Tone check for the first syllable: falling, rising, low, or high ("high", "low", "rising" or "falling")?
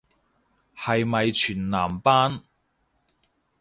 low